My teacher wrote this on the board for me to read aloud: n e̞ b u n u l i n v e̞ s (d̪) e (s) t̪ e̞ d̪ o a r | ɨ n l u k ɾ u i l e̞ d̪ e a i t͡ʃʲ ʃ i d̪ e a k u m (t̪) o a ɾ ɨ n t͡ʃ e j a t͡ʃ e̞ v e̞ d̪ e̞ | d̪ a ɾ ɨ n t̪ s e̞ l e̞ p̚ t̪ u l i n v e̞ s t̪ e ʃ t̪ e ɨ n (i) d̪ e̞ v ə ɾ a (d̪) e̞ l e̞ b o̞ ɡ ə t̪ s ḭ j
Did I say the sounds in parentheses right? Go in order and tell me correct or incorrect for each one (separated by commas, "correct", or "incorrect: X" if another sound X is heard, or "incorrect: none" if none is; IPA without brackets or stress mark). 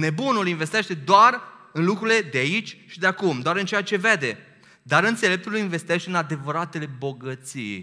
incorrect: t̪, incorrect: ʃ, incorrect: d̪, incorrect: a, incorrect: t̪